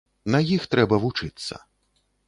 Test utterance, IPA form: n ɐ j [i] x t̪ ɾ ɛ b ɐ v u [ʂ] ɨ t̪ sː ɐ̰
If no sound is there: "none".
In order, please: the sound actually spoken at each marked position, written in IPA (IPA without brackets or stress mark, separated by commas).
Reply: i, t͡ʂ